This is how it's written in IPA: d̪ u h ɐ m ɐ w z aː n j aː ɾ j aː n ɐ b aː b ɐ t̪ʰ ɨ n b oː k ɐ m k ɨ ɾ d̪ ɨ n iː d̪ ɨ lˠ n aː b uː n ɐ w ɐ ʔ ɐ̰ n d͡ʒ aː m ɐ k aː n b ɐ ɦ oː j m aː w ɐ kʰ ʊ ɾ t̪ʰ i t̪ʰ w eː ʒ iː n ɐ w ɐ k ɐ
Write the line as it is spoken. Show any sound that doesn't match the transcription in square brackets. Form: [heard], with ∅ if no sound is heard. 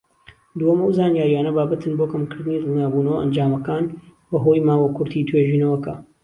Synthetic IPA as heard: d̪ u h ɐ m ɐ w z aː n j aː ɾ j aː n ɐ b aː b ɐ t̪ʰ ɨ n b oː k ɐ m k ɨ ɾ d̪ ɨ n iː d̪ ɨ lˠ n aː b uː n ɐ w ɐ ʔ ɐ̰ n d͡ʒ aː m ɐ k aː n b ɐ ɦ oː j m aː w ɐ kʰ ʊ ɾ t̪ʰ i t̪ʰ w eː ʒ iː n ɐ w ɐ k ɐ